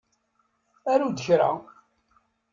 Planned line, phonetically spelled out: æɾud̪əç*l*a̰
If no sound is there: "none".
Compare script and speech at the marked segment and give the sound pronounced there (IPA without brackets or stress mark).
ɾ